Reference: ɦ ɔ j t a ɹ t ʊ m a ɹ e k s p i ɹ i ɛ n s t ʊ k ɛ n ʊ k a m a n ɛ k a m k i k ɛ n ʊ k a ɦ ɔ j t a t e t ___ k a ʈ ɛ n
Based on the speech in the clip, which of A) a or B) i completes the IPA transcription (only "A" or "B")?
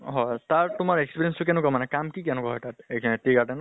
B